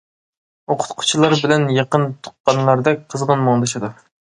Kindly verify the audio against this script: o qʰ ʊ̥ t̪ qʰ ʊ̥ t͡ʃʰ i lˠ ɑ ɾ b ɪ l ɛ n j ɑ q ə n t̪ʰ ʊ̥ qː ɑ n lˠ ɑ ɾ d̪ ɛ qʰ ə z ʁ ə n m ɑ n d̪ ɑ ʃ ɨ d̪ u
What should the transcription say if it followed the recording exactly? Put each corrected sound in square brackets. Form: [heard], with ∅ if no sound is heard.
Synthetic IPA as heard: o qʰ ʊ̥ t̪ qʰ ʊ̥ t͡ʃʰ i lˠ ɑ ɾ b ɪ l ɛ n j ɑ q ə n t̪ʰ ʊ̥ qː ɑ n lˠ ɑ ɾ d̪ ɛ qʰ ə z ʁ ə n m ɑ [ŋ] d̪ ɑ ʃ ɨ d̪ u